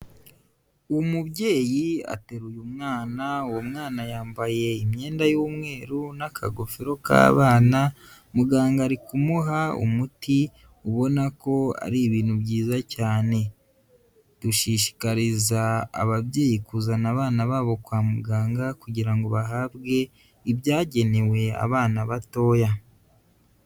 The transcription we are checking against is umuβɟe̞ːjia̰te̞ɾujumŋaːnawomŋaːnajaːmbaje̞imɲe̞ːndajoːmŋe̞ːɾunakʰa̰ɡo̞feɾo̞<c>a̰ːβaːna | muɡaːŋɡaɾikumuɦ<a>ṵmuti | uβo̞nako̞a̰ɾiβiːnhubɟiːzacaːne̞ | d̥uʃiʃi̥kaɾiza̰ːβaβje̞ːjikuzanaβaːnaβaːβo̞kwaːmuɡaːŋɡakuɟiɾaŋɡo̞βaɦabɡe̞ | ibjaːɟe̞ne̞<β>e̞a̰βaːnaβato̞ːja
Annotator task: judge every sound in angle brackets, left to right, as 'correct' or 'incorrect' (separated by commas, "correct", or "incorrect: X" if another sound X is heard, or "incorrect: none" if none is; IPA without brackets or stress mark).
incorrect: k, correct, incorrect: w